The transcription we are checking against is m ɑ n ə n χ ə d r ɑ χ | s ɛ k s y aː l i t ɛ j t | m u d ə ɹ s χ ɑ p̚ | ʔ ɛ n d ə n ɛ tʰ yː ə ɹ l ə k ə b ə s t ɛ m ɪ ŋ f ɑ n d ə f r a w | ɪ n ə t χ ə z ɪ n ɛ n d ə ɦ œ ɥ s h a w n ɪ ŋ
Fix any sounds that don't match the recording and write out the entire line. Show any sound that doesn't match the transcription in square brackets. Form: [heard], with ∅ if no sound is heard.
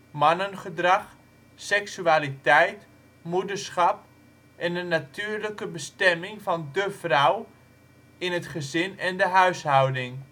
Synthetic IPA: m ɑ n ə n χ ə d r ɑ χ | s ɛ k s y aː l i t ɛ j t | m u d ə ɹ s χ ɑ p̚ | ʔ ɛ n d ə n [a] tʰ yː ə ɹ l ə k ə b ə s t ɛ m ɪ ŋ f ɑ n d ə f r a w | ɪ n ə t χ ə z ɪ n ɛ n d ə ɦ œ ɥ s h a w [d] ɪ ŋ